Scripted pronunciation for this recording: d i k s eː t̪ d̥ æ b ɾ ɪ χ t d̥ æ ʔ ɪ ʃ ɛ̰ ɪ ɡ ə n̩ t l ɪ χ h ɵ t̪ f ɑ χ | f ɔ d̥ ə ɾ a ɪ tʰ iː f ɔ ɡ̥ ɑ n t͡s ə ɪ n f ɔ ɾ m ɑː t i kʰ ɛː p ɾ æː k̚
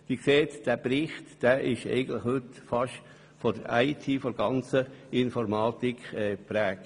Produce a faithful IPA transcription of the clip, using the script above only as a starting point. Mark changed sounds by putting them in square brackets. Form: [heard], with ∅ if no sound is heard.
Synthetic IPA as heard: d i k s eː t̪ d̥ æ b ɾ ɪ χ t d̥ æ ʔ ɪ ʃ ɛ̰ ɪ ɡ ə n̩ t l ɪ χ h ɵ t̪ f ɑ [ʃ] | f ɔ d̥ ə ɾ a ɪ tʰ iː f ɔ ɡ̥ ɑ n t͡s ə ɪ n f ɔ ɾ m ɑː t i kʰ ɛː p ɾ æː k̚